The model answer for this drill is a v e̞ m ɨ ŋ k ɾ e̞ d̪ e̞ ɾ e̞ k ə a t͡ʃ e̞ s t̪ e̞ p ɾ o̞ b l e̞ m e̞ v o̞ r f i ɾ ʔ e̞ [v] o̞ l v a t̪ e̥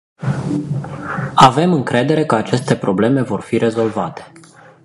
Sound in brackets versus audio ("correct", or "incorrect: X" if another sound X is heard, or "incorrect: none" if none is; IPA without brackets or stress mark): incorrect: z